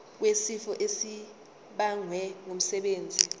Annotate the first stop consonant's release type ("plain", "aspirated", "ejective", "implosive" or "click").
plain